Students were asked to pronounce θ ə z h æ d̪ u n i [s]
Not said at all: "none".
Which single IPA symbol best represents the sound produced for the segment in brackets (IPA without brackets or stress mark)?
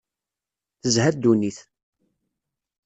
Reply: θ